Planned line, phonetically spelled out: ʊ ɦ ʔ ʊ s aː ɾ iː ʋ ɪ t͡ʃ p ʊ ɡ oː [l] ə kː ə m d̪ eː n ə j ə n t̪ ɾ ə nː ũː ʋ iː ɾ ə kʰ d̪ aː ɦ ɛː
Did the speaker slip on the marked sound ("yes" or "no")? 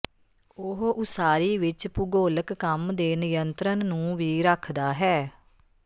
no